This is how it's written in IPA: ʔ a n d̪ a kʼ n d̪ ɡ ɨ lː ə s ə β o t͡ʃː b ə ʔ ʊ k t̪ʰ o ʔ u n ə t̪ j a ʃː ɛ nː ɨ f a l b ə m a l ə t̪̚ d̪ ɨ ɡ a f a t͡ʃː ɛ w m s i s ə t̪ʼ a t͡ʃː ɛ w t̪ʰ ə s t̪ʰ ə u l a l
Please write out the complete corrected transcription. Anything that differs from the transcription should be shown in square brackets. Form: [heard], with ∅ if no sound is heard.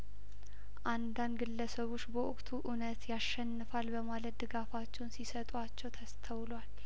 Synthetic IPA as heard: ʔ a n d̪ a [∅] n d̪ ɡ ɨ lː ə s ə β o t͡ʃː b ə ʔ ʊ [kʼ] t̪ʰ [u] ʔ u n ə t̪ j a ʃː ɛ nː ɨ f a l b ə m a l ə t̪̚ d̪ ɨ ɡ a f a t͡ʃː ɛ w [n] s i s ə t̪ʼ a t͡ʃː ɛ w t̪ʰ ə s t̪ʰ ə [w] l a l